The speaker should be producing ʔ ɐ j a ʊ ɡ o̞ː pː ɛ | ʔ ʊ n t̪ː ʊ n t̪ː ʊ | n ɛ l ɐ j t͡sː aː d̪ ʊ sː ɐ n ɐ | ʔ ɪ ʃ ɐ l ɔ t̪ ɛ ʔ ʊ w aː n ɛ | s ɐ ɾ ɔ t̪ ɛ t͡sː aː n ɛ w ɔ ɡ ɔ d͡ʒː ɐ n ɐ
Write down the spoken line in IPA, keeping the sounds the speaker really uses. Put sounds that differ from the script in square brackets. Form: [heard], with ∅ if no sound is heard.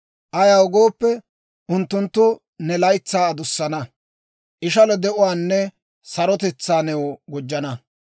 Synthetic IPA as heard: ʔ ɐ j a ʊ ɡ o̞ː pː ɛ | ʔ ʊ n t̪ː ʊ n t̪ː ʊ | n ɛ l ɐ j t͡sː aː d̪ ʊ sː ɐ n ɐ | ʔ ɪ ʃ ɐ l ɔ [d̪] ɛ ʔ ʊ w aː [nː] ɛ | s ɐ ɾ ɔ t̪ ɛ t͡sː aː n ɛ w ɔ ɡ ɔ d͡ʒː ɐ n ɐ